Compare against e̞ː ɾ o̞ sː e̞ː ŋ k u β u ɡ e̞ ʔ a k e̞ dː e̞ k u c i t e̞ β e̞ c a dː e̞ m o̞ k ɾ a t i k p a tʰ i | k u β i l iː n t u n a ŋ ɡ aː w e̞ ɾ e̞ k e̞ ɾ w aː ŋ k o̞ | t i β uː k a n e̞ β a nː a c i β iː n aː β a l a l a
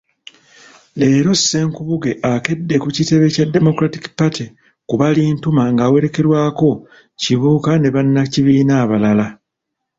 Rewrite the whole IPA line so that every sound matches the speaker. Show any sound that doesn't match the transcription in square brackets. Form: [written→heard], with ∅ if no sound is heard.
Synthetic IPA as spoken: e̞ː ɾ o̞ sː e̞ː ŋ k u β u ɡ e̞ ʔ a k e̞ dː e̞ k u c i t e̞ β e̞ c a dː e̞ m o̞ k ɾ a t i k p a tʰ i | k u β [i→a] l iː n t u [n→m] a ŋ ɡ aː w e̞ ɾ e̞ k e̞ ɾ w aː [ŋ→∅] k o̞ | [t→c] i β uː k a n e̞ β a nː a c i β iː n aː β a l a l a